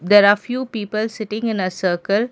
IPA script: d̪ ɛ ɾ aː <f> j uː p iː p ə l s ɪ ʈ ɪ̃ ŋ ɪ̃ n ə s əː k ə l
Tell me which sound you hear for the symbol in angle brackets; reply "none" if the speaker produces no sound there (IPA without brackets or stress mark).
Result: f